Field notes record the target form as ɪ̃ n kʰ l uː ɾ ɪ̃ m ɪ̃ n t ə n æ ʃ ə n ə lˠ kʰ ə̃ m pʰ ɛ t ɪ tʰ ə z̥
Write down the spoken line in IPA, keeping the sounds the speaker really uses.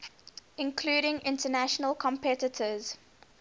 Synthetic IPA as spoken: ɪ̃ n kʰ l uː ɾ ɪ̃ ŋ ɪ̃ n t ə n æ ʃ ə n ə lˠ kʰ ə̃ m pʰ ɛ t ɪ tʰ ə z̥